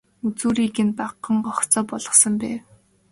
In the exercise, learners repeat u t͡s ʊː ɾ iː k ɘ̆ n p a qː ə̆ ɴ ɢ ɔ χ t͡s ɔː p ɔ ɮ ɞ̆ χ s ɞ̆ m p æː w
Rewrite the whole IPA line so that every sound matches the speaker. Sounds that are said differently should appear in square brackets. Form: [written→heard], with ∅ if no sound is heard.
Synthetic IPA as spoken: u t͡s [ʊː→uː] ɾ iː k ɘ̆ n p a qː ə̆ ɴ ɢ ɔ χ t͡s ɔː p ɔ ɮ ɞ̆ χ s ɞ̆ m p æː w